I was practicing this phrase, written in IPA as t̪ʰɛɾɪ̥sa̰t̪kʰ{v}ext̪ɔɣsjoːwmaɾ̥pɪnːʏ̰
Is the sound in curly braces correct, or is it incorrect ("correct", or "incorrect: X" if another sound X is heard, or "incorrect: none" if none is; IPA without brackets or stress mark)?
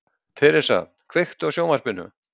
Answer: correct